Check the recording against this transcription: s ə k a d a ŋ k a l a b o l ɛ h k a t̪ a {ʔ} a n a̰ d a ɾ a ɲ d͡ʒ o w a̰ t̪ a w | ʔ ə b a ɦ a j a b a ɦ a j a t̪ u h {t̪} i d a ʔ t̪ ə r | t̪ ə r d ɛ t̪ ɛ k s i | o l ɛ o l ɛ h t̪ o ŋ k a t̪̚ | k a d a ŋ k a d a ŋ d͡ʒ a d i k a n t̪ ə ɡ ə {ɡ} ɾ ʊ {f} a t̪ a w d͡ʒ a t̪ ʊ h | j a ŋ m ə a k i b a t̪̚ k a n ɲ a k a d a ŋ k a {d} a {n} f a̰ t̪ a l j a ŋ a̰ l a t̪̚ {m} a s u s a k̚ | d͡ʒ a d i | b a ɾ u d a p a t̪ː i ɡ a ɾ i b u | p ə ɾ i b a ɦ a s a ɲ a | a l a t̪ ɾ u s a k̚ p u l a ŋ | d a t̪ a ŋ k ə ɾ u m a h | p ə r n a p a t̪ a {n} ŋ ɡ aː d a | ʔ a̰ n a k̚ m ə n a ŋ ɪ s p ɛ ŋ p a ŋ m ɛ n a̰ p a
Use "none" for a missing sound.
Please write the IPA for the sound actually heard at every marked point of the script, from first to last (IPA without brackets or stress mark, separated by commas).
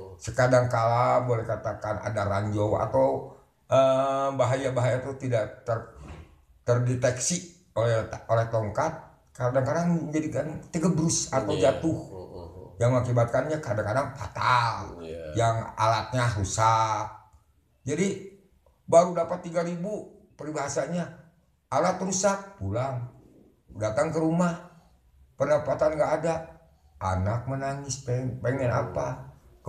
k, t̪, b, s, d, ŋ, ɲ, n